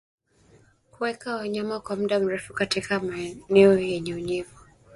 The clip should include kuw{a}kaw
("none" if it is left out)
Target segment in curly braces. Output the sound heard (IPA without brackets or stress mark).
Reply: ɛ